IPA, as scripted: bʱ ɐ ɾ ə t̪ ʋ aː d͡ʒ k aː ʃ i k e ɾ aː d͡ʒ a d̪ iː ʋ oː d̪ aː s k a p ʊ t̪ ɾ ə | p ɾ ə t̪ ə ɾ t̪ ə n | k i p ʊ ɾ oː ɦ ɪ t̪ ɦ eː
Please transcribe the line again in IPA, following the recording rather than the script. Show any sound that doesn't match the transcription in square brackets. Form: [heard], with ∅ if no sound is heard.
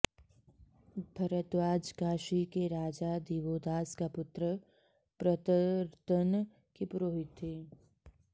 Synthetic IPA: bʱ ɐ ɾ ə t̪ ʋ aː d͡ʒ k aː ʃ i k e ɾ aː d͡ʒ a d̪ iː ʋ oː d̪ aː s k a p ʊ t̪ ɾ ə | p ɾ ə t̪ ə ɾ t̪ ə n | k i p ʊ ɾ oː ɦ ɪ t̪ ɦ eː